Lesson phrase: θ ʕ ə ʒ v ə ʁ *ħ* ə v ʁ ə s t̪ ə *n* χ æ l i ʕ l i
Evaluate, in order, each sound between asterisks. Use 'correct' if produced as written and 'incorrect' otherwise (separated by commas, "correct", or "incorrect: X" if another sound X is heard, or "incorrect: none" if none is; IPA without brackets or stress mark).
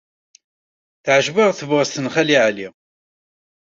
incorrect: θ, correct